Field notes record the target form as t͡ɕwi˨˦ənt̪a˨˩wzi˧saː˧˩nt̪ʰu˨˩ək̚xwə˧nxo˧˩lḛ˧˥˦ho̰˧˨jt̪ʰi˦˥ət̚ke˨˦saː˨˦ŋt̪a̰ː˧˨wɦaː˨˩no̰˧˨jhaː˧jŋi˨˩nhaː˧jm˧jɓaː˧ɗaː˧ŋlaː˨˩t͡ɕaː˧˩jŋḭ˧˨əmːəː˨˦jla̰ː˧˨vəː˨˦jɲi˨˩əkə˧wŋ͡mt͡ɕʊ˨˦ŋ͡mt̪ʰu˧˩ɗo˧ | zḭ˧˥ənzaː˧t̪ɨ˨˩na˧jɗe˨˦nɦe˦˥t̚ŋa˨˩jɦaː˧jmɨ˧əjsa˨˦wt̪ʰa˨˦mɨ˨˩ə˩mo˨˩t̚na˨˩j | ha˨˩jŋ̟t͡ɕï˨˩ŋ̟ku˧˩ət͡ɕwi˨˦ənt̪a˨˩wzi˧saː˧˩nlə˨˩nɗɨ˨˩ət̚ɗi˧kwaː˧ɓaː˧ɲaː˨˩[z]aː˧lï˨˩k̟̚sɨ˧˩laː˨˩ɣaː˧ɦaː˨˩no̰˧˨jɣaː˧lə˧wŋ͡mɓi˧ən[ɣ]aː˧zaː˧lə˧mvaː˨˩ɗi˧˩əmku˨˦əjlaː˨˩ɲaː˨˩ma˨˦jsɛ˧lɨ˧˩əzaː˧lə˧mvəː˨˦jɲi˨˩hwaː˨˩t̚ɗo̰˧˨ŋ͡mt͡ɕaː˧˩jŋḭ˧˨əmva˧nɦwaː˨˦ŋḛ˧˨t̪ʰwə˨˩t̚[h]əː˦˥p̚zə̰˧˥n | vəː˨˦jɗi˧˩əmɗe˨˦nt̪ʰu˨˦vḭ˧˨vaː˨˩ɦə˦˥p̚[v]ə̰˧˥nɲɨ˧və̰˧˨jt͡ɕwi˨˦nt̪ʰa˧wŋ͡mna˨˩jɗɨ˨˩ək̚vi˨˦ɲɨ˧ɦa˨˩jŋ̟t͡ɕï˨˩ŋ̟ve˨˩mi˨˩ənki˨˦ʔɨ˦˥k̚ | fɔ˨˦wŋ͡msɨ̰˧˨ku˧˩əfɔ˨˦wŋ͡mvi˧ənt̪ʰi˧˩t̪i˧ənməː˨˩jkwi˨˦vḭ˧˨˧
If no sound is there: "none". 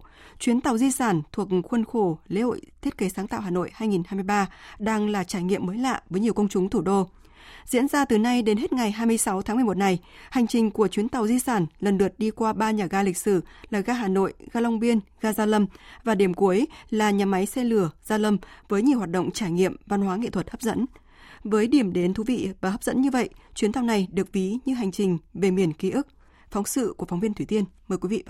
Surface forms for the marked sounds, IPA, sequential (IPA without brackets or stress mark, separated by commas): ɣ, ɣ, h, z